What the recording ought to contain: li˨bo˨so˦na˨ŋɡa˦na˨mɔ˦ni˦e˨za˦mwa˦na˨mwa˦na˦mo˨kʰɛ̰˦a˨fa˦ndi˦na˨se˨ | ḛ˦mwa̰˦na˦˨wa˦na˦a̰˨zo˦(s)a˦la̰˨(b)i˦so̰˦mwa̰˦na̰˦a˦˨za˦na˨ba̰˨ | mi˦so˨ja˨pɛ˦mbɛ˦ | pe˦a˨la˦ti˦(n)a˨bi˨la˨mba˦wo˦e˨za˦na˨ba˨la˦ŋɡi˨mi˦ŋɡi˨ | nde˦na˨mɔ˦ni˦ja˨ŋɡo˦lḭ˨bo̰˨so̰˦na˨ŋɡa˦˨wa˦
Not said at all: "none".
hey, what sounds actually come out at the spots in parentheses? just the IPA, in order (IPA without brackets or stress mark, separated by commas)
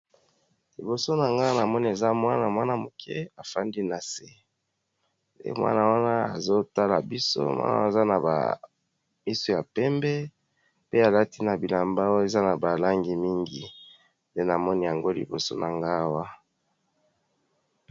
t, b, n